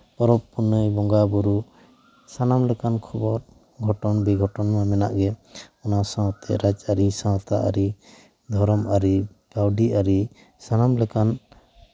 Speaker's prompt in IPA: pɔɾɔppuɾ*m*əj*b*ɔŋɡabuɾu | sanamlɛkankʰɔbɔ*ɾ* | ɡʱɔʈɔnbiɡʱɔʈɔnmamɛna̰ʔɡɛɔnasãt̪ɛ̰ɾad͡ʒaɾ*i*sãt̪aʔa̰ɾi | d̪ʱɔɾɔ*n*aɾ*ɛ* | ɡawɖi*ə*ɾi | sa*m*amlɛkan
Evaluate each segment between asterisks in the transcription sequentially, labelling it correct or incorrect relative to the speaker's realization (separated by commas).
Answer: incorrect, correct, correct, correct, incorrect, incorrect, incorrect, incorrect